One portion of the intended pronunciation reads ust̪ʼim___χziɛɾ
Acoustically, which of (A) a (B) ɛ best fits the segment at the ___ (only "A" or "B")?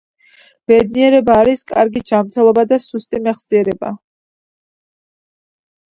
B